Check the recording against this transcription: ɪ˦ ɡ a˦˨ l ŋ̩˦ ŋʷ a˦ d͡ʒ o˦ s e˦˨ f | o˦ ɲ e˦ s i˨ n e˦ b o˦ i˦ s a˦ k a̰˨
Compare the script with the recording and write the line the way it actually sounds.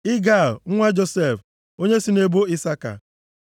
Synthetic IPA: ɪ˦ ɡ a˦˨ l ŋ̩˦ ŋʷ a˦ d͡ʒ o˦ s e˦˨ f | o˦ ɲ e˦ s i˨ n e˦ b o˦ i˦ s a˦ k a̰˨